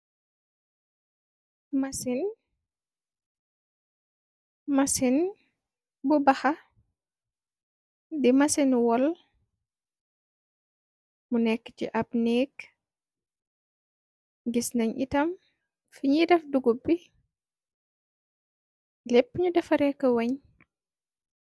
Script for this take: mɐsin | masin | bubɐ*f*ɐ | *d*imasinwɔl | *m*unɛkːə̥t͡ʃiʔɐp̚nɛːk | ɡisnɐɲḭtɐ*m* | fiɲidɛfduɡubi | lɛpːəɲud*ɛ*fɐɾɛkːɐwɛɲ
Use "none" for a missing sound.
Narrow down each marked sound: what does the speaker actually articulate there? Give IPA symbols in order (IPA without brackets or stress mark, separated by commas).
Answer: x, d, m, m, ɛ